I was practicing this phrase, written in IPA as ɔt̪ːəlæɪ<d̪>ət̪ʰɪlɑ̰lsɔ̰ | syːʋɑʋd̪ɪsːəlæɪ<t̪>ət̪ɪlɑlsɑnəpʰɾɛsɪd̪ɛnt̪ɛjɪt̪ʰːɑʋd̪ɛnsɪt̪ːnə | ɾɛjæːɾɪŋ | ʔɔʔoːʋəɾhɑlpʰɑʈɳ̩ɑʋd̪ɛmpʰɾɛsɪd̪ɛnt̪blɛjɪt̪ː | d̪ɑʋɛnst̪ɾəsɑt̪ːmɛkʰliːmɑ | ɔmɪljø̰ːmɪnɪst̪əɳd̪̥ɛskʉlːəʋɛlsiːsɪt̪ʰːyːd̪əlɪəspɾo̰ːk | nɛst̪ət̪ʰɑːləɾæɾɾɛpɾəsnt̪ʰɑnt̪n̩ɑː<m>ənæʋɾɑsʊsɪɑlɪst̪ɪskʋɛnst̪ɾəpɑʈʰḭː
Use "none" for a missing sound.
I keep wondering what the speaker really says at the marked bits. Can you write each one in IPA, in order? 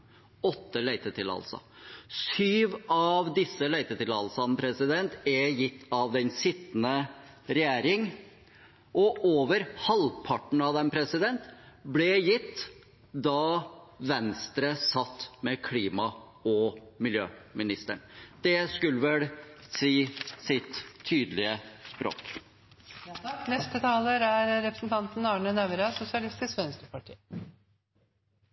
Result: t̪, t̪, ɳ

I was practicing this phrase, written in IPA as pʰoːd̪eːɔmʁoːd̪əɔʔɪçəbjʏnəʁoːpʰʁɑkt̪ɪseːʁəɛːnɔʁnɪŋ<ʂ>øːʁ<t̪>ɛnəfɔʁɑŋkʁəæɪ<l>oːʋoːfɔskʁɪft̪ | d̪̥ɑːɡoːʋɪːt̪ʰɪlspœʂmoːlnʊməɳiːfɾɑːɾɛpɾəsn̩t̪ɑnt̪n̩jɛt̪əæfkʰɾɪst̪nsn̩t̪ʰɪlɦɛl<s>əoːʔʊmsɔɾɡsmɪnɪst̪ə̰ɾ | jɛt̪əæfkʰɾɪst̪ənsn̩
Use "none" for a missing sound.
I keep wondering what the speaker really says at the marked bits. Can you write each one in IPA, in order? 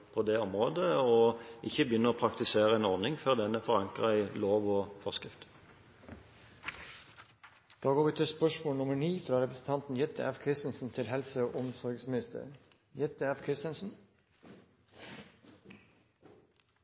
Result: f, d̪, l, s

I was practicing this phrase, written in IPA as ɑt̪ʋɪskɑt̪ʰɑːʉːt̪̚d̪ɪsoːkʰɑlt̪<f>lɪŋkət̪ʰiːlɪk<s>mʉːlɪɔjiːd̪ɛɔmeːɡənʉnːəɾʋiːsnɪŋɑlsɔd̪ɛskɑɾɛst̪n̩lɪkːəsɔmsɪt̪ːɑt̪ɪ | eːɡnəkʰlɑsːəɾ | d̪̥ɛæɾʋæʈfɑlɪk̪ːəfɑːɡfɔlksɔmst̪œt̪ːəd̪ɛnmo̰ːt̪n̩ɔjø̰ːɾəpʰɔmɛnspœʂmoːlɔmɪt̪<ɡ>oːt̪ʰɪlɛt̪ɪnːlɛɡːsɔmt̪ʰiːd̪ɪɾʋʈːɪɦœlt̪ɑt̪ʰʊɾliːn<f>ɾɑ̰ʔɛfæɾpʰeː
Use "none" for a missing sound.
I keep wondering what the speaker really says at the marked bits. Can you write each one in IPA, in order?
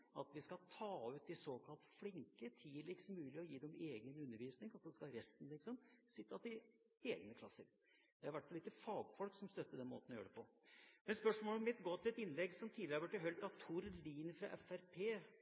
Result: f, s, ɡ, f

